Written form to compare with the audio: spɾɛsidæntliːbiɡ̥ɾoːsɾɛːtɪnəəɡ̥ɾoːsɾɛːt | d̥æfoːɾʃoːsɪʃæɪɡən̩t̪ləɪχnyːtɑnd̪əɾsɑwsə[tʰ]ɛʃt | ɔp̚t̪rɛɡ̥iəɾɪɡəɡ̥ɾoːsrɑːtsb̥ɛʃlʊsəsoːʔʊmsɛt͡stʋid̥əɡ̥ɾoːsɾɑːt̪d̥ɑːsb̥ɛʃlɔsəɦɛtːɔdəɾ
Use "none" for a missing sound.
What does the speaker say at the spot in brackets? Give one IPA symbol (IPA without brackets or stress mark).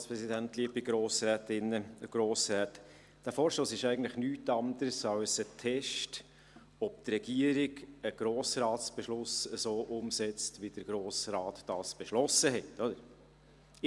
tʰ